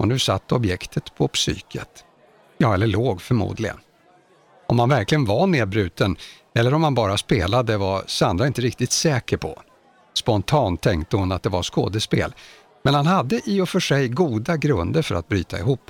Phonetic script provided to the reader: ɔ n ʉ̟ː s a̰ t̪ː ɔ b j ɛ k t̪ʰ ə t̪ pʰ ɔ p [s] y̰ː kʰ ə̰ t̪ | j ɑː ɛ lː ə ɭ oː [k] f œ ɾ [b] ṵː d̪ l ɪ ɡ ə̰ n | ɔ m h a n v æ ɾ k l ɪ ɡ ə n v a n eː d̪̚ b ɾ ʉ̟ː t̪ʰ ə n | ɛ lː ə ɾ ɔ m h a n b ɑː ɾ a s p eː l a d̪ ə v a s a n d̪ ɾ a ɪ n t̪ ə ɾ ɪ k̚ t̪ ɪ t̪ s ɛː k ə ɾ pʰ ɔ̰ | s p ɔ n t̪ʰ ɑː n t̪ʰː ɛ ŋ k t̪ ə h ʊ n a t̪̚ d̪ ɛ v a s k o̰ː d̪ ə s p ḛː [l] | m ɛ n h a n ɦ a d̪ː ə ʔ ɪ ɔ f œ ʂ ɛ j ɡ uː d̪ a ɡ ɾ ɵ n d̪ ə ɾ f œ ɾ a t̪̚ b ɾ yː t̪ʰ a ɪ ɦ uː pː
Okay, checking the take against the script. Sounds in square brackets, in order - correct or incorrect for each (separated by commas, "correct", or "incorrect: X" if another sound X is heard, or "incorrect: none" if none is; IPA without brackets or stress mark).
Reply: correct, incorrect: ɡ, incorrect: m, correct